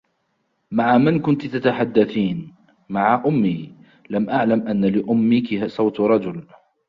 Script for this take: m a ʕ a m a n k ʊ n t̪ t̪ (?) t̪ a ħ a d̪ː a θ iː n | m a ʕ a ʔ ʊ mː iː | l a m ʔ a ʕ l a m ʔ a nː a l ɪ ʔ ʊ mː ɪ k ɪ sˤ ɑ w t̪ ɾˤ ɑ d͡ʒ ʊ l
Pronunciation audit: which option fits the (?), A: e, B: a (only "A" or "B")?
B